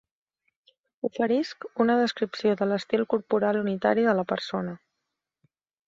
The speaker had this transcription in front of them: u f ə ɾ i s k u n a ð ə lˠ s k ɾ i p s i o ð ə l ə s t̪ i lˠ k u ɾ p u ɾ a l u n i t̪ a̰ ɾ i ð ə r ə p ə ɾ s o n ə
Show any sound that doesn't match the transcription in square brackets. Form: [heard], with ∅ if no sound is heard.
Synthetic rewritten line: u f ə ɾ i s k u n [ə] ð ə [∅] s k ɾ i p s i o ð ə l ə s t̪ i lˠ k u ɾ p u ɾ a l u n i t̪ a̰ ɾ i ð ə [l] ə p ə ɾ s o n ə